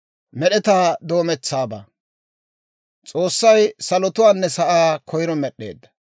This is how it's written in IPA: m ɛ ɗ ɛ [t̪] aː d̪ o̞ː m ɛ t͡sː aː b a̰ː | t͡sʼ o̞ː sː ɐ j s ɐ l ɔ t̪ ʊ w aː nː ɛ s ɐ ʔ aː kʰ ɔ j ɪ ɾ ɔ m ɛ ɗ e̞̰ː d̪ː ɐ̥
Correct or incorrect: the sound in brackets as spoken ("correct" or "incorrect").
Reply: correct